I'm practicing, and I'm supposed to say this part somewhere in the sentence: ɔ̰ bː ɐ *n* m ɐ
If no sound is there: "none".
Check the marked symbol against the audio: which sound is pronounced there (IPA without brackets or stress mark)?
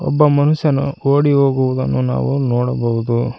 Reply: none